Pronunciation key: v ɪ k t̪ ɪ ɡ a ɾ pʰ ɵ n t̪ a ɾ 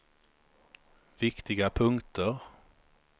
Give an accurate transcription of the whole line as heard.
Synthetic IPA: v ɪ k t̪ ɪ ɡ a pʰ ɵ ŋ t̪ ə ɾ